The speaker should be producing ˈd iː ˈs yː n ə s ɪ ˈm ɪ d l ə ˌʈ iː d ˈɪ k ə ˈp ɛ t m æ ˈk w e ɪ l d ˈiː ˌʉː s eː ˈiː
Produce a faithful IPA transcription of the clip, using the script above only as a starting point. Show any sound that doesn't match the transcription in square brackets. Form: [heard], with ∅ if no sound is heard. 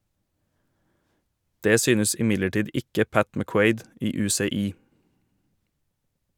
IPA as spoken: ˈd [eː] ˈs yː n ə s ɪ ˈm ɪ d l ə ˌʈ iː d ˈɪ k ə ˈp [æ] t m æ ˈk w e ɪ [∅] d ˈiː ˌʉː s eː ˈiː